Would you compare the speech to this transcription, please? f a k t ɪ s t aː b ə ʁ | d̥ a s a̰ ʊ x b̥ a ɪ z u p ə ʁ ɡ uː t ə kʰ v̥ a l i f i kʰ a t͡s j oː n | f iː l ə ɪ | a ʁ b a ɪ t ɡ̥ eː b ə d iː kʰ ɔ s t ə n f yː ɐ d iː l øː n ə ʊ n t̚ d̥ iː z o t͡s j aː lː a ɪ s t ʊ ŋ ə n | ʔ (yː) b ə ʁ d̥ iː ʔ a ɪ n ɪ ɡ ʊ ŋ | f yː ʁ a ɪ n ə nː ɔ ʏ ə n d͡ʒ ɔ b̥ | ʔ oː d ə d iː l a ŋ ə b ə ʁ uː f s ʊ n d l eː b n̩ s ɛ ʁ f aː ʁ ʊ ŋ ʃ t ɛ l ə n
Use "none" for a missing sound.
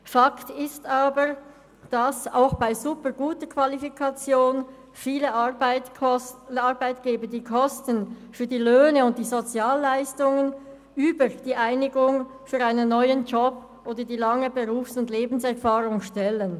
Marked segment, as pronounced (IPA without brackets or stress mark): yː